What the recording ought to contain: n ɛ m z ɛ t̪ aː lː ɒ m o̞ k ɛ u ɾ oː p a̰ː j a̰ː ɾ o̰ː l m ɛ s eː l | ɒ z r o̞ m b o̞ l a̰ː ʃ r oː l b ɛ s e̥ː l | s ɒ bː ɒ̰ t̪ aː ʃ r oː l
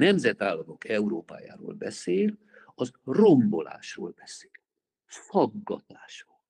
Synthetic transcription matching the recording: n ɛ m z ɛ t̪ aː lː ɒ m o̞ k ɛ u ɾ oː p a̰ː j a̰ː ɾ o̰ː l b ɛ s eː l | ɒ z r o̞ m b o̞ l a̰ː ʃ r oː l b ɛ s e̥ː l | f ɒ ɡː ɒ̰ t̪ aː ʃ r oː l